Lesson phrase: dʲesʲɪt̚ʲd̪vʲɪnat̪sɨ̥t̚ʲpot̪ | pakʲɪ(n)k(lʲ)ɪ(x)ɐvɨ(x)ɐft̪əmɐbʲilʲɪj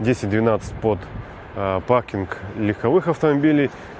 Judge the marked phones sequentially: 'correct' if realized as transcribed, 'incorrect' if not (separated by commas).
correct, correct, correct, correct